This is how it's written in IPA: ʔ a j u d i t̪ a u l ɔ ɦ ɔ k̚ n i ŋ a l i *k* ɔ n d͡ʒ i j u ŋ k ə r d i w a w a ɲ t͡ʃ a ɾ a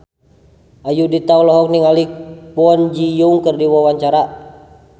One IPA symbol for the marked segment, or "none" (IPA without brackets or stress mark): p